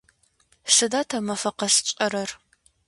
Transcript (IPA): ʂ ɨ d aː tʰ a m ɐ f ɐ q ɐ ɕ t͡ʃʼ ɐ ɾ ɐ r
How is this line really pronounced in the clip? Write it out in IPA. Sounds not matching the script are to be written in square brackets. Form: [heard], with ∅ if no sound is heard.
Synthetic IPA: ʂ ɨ d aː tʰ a m ɐ f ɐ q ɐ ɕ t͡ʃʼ ɐ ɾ ɐ r